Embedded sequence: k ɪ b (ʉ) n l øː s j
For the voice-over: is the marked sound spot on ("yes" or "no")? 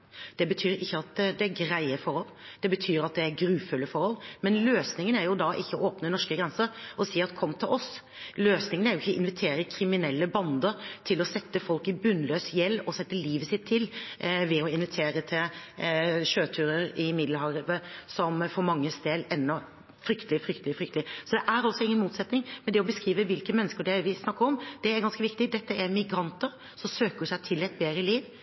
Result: yes